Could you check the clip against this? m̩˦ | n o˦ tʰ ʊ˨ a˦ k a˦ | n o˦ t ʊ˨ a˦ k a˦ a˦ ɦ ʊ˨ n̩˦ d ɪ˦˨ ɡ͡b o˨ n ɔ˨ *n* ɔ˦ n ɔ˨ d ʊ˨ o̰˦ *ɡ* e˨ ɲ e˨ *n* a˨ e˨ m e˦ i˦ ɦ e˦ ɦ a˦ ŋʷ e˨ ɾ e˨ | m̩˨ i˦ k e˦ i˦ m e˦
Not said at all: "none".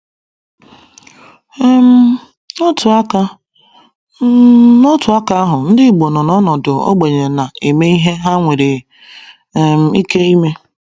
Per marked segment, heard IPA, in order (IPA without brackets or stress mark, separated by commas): n, ɡ͡b, n